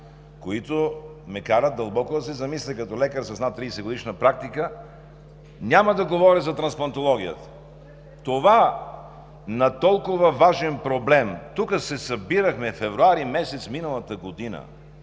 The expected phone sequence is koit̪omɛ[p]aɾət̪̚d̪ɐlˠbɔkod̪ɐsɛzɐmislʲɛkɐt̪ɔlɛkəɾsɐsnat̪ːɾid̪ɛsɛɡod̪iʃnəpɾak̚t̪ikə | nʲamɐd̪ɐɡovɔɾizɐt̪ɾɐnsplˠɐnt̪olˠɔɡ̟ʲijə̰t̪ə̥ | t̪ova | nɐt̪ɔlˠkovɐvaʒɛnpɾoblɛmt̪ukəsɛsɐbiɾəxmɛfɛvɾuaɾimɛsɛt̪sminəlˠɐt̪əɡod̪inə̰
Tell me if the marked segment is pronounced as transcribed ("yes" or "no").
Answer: no